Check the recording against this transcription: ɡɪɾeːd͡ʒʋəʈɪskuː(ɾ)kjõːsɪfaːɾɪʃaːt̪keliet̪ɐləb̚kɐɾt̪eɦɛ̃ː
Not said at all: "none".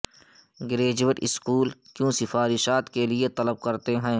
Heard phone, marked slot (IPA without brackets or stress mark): l